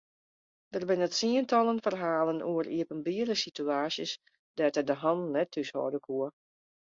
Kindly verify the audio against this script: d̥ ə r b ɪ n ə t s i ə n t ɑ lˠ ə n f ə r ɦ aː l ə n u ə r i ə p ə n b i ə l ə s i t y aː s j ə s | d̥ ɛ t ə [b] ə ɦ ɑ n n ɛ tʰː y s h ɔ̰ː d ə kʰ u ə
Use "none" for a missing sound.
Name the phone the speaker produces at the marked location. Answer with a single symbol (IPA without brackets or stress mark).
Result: d